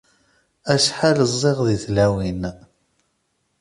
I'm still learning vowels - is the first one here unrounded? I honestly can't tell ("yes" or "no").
yes